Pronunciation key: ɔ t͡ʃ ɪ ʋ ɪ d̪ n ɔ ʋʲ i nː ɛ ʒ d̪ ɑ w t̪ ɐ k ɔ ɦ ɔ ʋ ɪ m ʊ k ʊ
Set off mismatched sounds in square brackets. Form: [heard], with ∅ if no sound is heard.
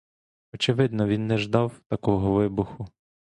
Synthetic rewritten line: ɔ t͡ʃ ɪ ʋ ɪ d̪ n ɔ ʋʲ i nː ɛ ʒ d̪ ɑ w t̪ ɐ k ɔ ɦ ɔ ʋ ɪ [b] ʊ [x] ʊ